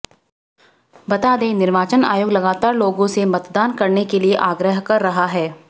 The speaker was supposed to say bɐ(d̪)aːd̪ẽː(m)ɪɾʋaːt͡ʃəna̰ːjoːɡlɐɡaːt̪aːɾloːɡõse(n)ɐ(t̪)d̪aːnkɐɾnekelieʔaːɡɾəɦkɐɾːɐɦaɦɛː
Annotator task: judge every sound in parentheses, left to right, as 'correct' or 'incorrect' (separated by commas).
incorrect, incorrect, incorrect, correct